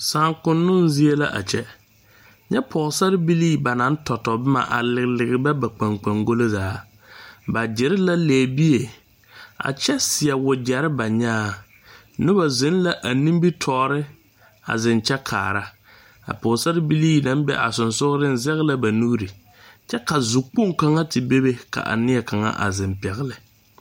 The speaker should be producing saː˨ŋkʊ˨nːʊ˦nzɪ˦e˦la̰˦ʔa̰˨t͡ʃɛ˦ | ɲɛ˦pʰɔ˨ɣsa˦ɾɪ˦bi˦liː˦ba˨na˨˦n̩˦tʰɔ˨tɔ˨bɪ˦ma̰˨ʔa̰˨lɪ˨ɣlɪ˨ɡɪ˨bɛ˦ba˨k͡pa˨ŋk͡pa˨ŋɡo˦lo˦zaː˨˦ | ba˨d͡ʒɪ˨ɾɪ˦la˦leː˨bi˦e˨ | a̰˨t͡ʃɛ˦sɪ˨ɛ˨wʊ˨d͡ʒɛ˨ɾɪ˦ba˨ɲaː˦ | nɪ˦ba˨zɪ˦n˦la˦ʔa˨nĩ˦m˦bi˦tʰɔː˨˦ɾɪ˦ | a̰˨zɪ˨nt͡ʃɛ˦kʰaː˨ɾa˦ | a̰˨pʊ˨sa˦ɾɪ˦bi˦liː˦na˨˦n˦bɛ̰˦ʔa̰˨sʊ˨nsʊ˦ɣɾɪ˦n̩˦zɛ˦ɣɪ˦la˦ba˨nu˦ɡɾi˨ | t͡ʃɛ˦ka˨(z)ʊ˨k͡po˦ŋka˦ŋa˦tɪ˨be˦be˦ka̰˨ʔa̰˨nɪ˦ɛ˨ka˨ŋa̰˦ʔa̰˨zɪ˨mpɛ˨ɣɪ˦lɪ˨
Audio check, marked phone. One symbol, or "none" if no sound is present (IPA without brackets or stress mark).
z